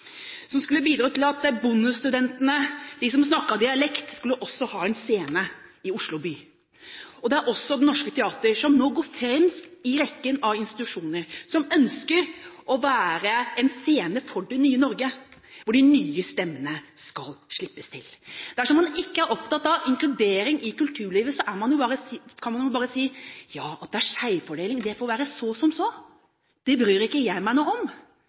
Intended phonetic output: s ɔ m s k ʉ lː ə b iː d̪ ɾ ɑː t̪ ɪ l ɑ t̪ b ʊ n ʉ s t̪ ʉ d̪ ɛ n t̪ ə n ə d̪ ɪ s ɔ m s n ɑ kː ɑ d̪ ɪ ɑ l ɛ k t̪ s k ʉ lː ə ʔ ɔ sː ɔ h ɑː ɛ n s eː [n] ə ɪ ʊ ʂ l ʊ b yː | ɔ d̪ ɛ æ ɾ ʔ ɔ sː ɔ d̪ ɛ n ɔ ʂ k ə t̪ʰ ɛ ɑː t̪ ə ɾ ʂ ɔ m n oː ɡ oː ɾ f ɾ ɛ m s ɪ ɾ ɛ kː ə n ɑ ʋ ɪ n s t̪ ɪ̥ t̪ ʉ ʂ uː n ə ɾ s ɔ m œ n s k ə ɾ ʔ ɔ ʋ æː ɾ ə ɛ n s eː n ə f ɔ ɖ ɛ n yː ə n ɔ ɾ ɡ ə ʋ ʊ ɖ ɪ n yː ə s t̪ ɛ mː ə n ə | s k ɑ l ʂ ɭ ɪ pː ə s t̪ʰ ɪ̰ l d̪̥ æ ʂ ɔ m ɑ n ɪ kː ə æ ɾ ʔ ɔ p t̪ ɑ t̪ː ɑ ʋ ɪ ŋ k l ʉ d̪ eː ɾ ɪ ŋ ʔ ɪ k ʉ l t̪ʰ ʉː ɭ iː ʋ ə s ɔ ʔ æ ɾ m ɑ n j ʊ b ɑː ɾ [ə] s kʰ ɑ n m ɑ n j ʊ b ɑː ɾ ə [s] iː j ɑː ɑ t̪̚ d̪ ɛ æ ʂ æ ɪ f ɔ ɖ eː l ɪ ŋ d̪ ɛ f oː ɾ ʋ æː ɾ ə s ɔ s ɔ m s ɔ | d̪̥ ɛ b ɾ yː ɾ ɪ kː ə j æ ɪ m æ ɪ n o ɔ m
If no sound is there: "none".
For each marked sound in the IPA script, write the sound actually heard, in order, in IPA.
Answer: n, ə, s

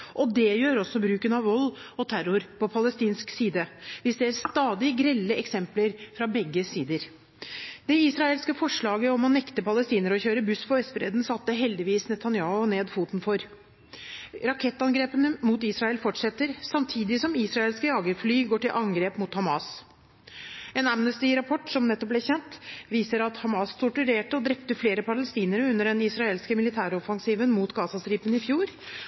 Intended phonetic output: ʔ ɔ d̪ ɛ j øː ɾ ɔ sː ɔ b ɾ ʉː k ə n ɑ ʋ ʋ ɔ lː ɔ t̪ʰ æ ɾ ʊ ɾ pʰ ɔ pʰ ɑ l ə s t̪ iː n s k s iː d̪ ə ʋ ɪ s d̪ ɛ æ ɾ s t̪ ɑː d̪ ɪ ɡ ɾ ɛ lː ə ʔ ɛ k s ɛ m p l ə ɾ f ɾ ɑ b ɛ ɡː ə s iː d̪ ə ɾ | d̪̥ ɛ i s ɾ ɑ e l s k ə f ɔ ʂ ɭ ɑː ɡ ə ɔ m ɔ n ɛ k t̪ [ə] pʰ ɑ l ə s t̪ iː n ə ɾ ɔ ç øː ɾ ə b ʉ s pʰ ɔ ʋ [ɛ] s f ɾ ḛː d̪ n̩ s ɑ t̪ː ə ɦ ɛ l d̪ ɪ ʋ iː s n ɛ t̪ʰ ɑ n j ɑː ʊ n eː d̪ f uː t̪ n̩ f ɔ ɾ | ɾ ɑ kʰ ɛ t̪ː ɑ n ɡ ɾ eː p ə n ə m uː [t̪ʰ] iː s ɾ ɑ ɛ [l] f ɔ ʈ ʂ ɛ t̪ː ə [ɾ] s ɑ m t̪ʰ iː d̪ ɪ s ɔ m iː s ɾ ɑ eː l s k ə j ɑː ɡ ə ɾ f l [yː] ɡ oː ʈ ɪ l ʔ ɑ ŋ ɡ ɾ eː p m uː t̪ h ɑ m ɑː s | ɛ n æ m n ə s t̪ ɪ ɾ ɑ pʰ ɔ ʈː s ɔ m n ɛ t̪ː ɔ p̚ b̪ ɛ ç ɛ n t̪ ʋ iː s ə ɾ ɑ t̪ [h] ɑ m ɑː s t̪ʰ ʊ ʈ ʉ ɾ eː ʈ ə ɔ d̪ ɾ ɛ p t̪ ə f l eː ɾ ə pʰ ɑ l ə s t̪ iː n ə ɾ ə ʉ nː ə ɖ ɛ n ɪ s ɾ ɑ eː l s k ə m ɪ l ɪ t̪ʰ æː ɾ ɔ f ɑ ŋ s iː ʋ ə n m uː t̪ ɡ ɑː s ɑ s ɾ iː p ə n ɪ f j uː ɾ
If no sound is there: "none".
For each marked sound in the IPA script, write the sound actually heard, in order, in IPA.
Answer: ə, ɛ, t̪, l, ɾ, yː, h

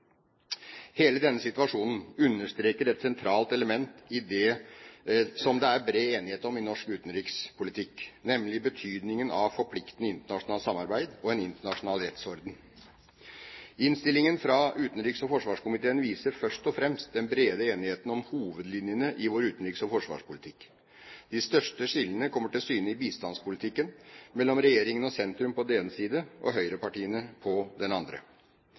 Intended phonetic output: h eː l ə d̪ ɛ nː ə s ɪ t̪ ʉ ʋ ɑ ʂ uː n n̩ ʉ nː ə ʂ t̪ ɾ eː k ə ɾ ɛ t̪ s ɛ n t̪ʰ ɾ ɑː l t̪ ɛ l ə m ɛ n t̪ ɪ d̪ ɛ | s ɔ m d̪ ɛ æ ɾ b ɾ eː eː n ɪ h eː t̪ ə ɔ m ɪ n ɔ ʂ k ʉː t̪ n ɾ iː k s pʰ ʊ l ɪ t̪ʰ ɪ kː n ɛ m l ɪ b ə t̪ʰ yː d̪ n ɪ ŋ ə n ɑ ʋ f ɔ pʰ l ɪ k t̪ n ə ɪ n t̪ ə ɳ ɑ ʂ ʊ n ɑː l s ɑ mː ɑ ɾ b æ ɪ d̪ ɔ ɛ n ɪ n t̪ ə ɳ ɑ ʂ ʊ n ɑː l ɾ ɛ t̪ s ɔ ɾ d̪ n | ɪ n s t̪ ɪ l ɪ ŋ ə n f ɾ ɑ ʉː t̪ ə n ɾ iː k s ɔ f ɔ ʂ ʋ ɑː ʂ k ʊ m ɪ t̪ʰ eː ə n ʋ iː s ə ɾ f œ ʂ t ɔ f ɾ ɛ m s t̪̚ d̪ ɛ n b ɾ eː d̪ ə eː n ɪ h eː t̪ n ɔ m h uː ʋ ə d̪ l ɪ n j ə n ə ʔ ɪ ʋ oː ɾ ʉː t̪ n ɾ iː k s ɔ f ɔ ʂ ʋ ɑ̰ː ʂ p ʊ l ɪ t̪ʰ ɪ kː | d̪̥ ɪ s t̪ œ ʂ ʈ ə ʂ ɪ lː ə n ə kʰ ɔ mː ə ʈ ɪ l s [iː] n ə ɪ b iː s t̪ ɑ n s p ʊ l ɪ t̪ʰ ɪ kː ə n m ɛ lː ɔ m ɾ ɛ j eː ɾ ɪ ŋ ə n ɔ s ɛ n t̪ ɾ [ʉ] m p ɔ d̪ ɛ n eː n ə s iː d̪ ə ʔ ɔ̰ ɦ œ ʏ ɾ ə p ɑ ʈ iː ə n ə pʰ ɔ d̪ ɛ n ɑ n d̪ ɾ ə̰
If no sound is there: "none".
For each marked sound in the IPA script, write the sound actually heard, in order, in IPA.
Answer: yː, ʉ

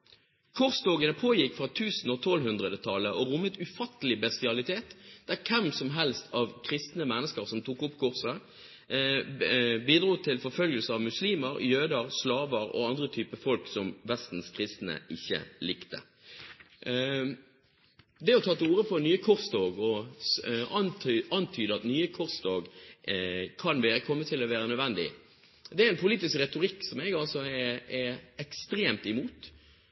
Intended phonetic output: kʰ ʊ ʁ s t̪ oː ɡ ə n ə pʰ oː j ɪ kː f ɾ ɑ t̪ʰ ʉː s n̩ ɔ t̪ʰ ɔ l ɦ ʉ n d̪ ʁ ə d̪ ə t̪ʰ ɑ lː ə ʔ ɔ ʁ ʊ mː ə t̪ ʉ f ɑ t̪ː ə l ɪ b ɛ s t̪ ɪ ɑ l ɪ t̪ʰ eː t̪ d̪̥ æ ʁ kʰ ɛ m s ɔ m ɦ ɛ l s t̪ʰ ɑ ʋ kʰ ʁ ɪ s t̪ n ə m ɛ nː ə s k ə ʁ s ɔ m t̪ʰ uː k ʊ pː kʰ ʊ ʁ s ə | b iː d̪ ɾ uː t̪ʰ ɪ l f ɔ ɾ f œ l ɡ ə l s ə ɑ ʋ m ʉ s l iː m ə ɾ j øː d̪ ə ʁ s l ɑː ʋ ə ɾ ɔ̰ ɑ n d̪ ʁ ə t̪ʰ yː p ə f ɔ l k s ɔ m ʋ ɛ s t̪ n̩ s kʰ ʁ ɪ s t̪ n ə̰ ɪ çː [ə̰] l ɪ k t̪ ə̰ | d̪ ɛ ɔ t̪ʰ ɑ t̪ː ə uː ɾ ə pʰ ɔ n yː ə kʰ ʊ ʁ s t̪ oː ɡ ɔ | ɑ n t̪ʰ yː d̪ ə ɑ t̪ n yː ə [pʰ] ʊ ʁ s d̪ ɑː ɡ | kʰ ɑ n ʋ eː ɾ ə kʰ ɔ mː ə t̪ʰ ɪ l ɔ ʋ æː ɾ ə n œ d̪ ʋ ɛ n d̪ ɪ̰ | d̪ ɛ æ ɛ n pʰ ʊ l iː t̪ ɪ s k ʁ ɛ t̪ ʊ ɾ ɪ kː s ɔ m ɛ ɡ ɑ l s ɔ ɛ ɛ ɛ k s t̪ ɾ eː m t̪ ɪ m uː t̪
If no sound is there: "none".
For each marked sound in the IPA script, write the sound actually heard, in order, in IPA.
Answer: ə̰, kʰ

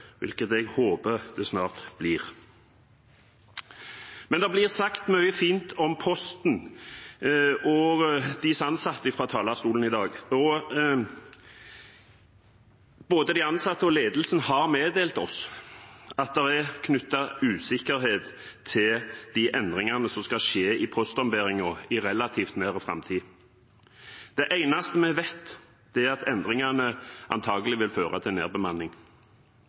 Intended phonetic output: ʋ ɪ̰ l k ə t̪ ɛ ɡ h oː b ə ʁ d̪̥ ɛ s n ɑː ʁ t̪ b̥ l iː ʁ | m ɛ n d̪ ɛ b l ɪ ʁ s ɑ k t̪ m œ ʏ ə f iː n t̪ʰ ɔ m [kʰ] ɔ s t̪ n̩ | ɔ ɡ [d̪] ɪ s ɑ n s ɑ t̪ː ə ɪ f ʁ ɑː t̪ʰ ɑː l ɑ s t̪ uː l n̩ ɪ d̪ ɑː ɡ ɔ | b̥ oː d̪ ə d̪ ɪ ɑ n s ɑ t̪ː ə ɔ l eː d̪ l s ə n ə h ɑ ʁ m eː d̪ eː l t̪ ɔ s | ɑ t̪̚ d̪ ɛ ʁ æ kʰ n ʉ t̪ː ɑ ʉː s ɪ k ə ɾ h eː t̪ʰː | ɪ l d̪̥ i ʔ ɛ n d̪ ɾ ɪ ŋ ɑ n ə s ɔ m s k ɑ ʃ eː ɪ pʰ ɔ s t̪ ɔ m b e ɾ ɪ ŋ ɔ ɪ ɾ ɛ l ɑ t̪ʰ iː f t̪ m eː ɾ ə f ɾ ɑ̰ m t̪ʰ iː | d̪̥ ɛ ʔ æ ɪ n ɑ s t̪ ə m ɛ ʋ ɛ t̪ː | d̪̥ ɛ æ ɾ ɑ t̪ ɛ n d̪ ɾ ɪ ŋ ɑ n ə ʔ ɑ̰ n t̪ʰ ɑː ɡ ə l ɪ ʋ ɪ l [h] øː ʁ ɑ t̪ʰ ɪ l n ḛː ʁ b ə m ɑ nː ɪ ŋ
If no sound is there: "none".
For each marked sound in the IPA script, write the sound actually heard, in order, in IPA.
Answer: pʰ, d̪, f

